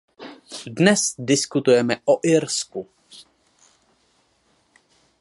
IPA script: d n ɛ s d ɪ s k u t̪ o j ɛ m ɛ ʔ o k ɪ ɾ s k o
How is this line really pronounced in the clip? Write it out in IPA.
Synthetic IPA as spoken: d n ɛ s d ɪ s k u t̪ u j ɛ m ɛ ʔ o ʔ ɪ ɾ s k u